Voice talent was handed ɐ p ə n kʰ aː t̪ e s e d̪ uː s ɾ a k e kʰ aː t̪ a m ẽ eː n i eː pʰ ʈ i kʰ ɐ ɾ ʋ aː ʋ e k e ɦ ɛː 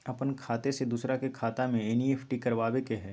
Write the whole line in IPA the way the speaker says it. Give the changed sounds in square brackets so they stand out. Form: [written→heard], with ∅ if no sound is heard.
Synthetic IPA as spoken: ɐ p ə n kʰ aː t̪ e s e d̪ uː s ɾ a k e kʰ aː t̪ a m ẽ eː n i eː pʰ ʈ i [kʰ→k] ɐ ɾ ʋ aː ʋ e k e ɦ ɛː